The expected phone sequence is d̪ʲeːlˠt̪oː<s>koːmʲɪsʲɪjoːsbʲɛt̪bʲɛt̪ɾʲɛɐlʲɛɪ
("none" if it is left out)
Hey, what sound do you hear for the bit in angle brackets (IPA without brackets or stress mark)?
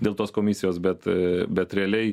s